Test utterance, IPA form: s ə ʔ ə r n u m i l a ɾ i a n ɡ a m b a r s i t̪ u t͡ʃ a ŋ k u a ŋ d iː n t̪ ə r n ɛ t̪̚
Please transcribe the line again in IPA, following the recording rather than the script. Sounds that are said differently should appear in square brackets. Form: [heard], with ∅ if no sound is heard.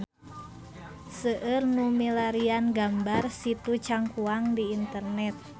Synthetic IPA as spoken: s ə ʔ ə r n u m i l a ɾ i a n ɡ a m b a r s i t̪ u t͡ʃ a ŋ k u a ŋ d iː n t̪ ə r n ɛ t̪̚